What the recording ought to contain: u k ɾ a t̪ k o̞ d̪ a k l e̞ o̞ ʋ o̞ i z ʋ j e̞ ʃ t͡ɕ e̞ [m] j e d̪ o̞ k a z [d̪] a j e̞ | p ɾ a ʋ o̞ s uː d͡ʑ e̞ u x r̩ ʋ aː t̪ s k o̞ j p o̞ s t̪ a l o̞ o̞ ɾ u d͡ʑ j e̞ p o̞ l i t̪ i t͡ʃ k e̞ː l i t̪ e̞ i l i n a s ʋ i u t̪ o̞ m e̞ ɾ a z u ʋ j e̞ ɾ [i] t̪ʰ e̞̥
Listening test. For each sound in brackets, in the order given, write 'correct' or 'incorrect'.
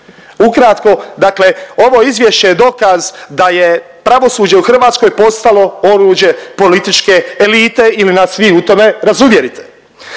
incorrect: none, correct, correct

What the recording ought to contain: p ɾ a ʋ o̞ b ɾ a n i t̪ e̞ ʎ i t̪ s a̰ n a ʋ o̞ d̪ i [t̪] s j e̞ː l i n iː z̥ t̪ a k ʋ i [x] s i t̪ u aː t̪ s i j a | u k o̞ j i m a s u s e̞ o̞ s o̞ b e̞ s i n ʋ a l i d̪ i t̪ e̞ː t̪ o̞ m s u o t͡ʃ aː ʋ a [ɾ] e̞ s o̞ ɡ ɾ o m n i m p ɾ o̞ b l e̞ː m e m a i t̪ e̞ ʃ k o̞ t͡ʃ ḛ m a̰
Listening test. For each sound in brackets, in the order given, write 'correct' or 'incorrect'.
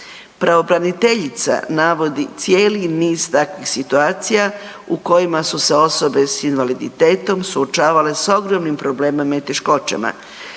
correct, correct, incorrect: l

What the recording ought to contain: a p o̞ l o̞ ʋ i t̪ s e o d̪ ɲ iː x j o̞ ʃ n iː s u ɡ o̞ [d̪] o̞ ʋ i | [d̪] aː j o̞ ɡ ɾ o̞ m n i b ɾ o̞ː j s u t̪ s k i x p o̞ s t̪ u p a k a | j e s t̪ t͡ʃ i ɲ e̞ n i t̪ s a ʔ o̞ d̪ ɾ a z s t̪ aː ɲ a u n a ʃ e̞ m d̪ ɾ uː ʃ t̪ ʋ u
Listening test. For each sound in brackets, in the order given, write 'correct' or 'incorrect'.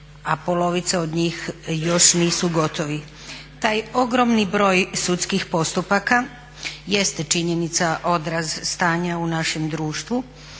incorrect: t̪, incorrect: t̪

